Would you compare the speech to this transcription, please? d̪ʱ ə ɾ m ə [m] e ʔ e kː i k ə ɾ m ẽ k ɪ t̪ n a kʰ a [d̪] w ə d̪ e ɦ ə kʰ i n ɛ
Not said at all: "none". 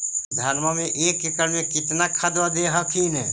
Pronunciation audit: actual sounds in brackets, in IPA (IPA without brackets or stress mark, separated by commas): m, d̪